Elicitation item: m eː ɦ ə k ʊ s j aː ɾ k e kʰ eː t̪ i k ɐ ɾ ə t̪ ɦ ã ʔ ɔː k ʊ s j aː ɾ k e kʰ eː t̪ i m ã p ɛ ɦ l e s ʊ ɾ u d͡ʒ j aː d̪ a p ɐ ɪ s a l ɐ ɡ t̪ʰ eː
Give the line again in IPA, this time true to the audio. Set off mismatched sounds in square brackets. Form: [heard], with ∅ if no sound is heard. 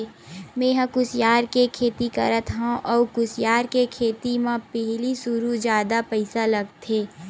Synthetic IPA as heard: m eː ɦ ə k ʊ s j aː ɾ k e kʰ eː t̪ i k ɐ ɾ ə t̪ ɦ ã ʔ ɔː k ʊ s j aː ɾ k e kʰ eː t̪ i m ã p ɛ ɦ l [i] s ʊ ɾ u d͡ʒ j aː d̪ a p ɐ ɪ s a l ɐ ɡ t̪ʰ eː